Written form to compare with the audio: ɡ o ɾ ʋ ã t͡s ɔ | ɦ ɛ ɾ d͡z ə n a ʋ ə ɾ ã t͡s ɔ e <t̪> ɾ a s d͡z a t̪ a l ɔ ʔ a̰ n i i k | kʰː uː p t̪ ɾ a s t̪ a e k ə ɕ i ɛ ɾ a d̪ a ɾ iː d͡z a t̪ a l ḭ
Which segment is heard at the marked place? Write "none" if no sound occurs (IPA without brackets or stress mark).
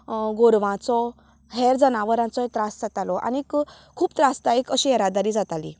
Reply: t̪